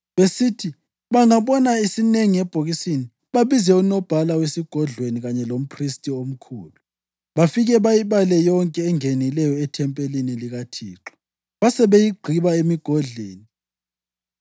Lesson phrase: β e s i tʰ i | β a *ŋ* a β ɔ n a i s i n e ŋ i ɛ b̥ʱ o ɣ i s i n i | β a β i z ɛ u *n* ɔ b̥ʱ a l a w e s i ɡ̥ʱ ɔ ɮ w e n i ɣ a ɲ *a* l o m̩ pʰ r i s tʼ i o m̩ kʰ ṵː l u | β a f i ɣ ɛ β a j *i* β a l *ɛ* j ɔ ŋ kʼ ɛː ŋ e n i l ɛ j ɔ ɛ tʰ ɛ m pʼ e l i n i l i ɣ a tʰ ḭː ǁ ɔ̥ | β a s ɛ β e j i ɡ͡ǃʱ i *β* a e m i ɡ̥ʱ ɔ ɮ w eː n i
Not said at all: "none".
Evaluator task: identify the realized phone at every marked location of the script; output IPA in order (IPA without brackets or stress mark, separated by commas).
ŋ, n, ɛ, i, ɛ, β